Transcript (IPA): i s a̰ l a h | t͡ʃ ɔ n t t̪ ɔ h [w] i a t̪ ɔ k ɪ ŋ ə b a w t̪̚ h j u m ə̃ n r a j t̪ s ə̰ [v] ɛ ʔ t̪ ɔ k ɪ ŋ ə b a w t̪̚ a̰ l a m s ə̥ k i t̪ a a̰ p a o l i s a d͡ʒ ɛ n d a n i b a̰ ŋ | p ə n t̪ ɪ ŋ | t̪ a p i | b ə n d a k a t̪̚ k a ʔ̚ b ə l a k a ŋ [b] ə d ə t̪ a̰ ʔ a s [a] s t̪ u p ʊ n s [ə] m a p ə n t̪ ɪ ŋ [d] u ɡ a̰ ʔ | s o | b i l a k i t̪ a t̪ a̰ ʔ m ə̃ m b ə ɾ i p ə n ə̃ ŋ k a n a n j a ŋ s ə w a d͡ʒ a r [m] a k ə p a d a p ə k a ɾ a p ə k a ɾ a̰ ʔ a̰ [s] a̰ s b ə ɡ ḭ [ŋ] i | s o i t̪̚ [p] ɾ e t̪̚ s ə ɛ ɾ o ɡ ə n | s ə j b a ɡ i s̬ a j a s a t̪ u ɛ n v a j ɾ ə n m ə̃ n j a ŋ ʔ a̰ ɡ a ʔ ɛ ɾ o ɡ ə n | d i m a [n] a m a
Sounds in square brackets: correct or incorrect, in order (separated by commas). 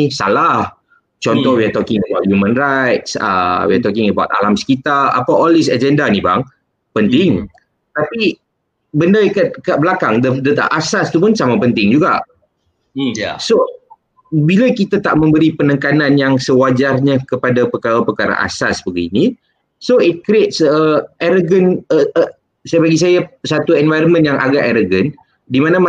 correct, incorrect, incorrect, correct, incorrect, incorrect, incorrect, correct, incorrect, incorrect, correct